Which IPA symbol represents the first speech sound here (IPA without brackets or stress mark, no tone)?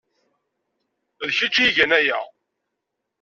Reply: ð